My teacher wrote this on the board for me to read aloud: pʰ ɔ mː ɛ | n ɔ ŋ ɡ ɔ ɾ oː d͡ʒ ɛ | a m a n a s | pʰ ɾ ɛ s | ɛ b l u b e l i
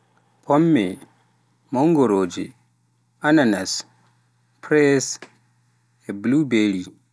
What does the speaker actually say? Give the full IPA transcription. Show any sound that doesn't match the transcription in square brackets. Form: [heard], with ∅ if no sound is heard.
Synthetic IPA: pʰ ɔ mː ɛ | [m] ɔ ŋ ɡ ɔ ɾ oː d͡ʒ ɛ | a [n] a n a s | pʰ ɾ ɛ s | ɛ b l u b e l i